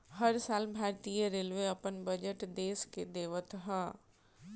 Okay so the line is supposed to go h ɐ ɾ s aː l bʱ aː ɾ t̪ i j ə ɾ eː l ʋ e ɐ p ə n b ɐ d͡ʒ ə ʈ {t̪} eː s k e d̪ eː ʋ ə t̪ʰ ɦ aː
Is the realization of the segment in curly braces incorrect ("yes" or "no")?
yes